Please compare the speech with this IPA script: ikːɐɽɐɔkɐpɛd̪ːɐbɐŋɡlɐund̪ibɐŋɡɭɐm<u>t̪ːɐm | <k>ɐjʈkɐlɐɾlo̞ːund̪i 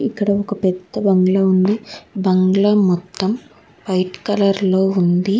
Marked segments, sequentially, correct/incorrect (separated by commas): incorrect, incorrect